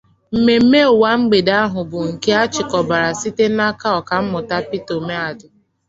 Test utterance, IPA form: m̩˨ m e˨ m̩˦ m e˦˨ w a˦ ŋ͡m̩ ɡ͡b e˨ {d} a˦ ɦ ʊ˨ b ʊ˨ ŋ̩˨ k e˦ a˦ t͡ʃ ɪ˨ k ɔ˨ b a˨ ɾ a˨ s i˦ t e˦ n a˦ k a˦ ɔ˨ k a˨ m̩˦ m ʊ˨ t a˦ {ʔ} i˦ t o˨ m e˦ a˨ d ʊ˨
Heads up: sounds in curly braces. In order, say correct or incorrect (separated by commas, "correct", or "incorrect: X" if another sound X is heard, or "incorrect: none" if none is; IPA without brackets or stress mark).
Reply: correct, incorrect: p